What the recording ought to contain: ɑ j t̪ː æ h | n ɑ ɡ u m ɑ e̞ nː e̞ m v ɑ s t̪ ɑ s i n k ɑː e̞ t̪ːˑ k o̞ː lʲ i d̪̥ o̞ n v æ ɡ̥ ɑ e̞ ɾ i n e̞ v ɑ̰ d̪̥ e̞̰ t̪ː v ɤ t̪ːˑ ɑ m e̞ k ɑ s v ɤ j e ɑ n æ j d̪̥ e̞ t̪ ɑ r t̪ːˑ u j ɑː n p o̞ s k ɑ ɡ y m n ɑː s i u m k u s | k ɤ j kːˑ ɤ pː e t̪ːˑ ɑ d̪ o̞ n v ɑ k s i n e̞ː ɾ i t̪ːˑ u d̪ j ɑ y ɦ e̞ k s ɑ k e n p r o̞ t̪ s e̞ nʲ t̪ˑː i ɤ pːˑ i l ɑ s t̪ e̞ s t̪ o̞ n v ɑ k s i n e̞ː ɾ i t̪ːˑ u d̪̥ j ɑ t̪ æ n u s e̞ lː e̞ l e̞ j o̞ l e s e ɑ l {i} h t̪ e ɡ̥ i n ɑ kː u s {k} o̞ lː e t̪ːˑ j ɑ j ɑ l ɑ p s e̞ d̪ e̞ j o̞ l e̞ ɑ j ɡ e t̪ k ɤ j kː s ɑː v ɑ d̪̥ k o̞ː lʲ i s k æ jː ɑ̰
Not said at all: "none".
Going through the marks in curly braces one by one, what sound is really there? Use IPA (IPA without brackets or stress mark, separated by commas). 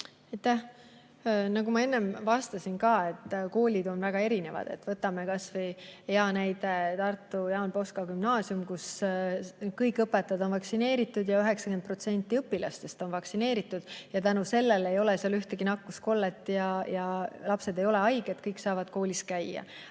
y, k